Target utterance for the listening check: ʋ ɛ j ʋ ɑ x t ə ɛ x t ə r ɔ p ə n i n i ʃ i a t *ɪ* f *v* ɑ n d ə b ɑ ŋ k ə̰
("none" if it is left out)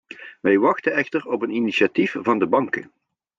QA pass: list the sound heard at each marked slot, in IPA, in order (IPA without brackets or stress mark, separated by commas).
i, v